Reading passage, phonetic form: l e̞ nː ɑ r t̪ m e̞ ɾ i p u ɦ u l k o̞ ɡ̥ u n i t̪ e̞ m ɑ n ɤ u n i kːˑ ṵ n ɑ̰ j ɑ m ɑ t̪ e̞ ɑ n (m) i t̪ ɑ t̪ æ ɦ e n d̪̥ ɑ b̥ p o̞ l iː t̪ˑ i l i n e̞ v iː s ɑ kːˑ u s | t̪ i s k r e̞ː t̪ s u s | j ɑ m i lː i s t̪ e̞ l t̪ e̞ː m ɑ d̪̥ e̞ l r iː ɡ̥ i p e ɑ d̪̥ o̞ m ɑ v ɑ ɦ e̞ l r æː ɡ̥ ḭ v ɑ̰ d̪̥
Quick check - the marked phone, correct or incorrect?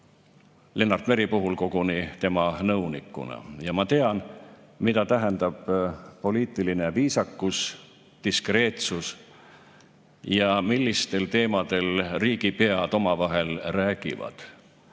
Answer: correct